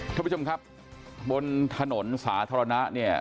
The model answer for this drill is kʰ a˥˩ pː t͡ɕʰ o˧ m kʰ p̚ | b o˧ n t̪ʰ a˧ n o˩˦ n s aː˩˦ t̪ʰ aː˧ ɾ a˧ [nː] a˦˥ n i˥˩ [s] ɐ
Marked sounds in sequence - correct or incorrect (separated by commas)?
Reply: incorrect, incorrect